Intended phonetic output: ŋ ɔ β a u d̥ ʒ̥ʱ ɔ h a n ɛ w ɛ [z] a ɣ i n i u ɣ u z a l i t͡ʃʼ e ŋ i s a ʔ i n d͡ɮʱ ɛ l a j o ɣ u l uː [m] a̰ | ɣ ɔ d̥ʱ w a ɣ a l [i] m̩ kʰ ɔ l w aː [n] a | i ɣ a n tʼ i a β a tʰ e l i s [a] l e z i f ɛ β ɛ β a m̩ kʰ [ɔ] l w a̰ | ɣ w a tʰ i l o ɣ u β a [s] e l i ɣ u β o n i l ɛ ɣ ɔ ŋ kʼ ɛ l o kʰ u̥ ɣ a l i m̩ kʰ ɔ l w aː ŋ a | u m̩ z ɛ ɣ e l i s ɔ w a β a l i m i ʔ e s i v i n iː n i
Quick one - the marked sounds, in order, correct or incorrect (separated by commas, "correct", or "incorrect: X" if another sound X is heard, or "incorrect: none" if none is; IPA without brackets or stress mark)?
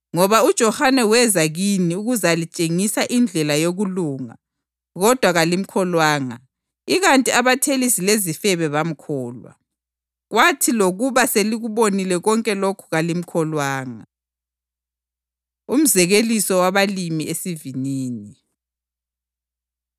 correct, incorrect: ŋ, correct, incorrect: ŋ, incorrect: i, incorrect: ɔː, correct